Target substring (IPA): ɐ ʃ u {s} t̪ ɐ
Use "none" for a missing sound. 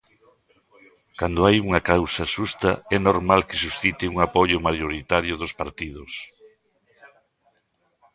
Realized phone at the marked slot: s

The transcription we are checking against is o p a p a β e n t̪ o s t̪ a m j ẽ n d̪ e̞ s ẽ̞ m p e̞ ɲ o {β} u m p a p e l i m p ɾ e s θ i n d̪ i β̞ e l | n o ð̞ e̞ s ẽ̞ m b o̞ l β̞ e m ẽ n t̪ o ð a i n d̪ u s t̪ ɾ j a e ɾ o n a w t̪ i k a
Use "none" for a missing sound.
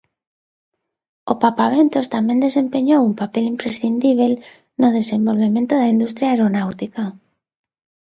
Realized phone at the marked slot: w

